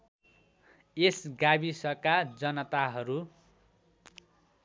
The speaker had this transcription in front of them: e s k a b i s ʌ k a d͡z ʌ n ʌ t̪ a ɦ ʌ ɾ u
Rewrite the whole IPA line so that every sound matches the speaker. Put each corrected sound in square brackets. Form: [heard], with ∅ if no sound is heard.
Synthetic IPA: e s [ɡ] a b i s ʌ k a d͡z ʌ n ʌ t̪ a ɦ ʌ ɾ u